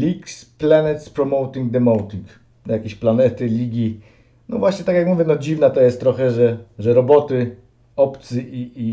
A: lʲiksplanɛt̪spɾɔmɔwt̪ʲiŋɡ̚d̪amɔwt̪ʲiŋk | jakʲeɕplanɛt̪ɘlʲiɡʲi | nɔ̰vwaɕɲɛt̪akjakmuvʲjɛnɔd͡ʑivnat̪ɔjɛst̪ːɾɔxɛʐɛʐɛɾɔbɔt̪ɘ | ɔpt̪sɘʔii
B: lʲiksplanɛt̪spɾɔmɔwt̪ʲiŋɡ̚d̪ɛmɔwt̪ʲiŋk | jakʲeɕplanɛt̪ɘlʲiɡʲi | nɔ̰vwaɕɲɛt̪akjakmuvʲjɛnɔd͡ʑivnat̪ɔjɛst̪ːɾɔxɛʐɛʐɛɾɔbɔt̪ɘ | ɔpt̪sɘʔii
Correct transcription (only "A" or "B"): B